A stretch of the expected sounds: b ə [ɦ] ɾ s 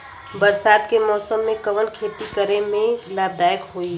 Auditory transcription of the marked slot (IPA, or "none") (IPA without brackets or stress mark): none